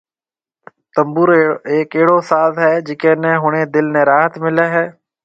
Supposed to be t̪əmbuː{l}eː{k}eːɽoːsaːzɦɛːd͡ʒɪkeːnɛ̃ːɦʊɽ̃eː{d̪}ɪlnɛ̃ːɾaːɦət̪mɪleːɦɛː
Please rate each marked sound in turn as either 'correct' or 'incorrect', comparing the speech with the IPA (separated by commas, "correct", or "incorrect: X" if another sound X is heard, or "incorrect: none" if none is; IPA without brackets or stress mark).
incorrect: ɾ, correct, correct